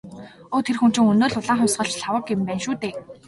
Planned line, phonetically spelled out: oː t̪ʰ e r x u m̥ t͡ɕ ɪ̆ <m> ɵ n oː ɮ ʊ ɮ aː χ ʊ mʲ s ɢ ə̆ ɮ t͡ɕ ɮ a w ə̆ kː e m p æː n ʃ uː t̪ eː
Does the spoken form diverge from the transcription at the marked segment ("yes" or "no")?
yes